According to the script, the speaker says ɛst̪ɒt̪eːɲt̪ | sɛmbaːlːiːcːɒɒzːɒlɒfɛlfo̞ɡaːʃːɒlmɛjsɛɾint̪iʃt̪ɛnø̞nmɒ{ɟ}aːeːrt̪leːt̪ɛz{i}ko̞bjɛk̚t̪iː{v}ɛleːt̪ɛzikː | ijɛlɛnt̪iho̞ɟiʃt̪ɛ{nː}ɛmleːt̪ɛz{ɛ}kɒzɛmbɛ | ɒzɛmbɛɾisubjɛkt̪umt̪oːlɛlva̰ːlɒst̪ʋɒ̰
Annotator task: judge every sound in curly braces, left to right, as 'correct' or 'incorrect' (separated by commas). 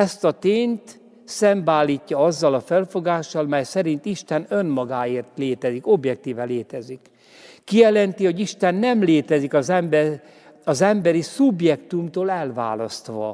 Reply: incorrect, correct, correct, correct, incorrect